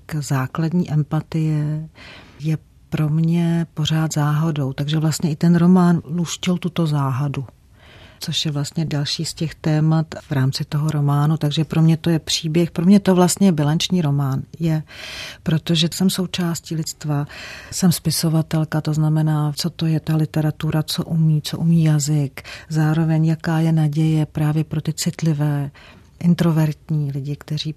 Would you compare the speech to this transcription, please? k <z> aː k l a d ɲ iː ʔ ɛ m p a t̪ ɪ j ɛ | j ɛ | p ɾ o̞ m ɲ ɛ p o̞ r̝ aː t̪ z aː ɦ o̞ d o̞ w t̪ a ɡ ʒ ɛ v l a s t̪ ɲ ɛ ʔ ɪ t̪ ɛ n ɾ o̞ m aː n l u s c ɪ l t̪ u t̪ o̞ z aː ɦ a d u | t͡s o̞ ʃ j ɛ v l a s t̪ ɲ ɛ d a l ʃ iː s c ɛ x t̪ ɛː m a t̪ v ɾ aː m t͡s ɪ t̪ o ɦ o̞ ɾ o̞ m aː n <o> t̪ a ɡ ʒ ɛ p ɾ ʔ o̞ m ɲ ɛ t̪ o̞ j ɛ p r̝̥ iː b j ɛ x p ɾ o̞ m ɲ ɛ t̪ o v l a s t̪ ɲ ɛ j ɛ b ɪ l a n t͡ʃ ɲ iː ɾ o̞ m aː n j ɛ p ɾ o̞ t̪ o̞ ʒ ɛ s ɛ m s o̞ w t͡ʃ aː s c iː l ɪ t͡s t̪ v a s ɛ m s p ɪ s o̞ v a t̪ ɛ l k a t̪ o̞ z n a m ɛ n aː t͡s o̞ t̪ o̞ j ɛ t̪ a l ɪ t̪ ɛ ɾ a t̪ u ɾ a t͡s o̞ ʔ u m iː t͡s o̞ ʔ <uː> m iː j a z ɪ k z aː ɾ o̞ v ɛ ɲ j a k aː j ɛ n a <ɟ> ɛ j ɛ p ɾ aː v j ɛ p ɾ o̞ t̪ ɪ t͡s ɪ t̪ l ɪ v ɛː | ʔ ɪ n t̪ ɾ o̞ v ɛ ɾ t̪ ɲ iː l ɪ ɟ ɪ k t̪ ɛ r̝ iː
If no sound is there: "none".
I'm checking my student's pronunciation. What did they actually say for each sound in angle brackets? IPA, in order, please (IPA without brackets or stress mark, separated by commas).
z, u, u, ɟ